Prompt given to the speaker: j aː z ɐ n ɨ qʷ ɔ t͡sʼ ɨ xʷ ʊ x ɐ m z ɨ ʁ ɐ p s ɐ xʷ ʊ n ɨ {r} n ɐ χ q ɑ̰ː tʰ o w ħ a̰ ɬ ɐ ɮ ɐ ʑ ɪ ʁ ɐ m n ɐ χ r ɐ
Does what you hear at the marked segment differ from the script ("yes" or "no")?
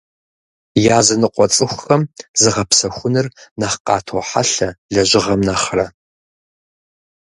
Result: no